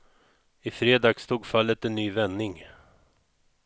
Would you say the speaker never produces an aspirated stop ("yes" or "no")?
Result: yes